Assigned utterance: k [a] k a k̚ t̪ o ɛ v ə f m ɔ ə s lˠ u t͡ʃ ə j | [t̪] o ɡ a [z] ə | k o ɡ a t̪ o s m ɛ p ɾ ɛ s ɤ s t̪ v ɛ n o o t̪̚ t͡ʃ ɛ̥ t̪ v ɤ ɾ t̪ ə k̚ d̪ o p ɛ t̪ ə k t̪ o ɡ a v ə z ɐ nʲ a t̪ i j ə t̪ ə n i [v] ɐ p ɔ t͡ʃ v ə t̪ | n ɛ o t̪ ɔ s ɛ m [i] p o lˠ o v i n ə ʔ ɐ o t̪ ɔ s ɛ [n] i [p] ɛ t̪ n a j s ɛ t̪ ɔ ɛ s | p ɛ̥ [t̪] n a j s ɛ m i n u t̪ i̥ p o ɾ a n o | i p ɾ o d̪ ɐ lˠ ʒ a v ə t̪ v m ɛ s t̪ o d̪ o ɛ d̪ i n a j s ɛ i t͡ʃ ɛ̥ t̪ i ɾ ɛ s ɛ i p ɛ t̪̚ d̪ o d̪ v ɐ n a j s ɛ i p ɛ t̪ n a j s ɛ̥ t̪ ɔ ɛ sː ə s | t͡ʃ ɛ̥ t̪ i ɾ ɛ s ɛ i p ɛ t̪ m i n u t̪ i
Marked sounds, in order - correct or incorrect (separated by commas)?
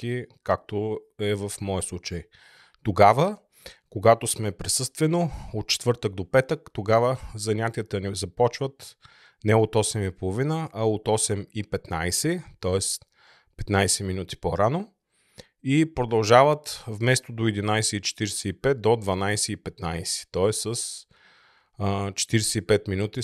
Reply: incorrect, correct, incorrect, incorrect, correct, incorrect, correct, correct